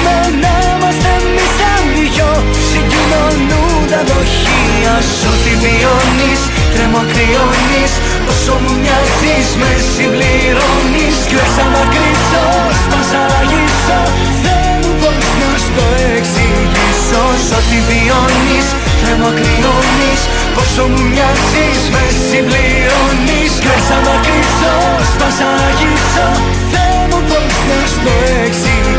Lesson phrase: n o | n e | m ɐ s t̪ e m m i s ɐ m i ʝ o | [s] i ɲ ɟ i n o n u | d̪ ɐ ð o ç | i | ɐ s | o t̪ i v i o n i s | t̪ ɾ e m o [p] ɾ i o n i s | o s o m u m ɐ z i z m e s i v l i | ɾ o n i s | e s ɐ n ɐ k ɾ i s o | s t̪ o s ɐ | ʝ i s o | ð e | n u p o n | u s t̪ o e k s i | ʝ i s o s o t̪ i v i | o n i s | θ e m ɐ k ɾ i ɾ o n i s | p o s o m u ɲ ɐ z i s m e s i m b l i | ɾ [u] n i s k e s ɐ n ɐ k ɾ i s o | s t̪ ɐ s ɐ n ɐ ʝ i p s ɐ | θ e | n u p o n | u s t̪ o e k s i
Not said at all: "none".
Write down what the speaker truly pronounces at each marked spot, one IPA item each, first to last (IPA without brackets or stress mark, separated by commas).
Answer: s, k, o